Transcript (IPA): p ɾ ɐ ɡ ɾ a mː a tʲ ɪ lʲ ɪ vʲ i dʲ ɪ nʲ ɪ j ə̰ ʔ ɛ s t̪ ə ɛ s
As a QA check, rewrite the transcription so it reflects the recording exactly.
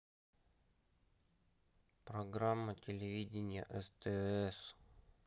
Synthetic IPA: p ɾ ɐ ɡ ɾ a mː ə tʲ ɪ lʲ ɪ vʲ i dʲ ɪ nʲ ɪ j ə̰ ʔ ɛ s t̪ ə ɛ s

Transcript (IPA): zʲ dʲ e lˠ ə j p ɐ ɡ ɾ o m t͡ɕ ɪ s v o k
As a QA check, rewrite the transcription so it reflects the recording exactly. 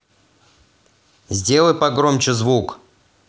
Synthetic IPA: zʲ dʲ e lˠ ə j p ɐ ɡ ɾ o m t͡ɕ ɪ z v u k

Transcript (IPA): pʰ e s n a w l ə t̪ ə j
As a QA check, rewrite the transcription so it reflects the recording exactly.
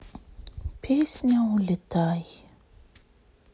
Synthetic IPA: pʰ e s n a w l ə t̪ a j

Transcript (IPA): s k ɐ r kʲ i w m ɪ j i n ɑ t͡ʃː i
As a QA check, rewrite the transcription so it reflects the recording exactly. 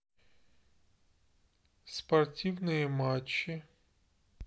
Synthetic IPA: s p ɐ r tʲ i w n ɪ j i m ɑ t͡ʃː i

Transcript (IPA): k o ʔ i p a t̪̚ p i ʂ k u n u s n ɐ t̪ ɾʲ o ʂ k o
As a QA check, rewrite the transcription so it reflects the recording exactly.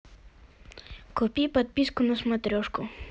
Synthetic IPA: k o p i p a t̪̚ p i s k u n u s m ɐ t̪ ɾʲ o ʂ k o

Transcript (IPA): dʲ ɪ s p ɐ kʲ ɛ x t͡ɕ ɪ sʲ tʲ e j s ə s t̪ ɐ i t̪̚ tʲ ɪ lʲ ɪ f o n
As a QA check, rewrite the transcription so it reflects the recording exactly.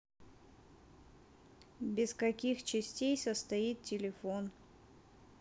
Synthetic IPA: bʲ ɪ s k ɐ kʲ i x t͡ɕ ɪ sʲ tʲ e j s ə s t̪ ɐ i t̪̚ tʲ ɪ lʲ ɪ f o n

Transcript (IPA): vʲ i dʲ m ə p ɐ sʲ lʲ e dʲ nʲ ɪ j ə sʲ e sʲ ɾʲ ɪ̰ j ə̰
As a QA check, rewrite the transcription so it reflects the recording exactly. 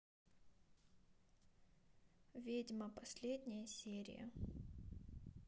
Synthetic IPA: vʲ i dʲ m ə p ɐ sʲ lʲ e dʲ nʲ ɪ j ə sʲ e ɾʲ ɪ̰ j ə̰

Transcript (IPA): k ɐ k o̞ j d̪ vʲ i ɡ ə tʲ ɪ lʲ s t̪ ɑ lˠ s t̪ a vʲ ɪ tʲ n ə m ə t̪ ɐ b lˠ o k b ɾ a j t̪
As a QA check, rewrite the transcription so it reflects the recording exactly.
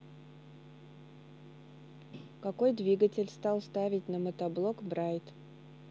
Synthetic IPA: k ɐ k o̞ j d̪ vʲ i ɡ ə tʲ ɪ lʲ s t̪ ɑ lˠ s t̪ a vʲ ɪ tʲ n ə m ə t̪ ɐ b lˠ o k b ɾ a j t̪

